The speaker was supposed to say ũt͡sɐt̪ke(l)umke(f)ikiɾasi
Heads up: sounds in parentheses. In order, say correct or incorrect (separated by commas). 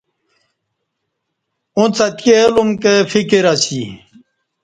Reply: correct, correct